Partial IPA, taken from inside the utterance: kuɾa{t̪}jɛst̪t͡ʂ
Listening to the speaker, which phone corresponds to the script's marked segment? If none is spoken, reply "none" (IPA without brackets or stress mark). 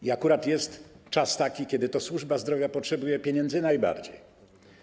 t̪